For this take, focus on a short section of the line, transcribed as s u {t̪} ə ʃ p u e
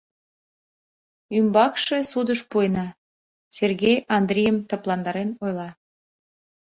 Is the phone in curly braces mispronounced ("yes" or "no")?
yes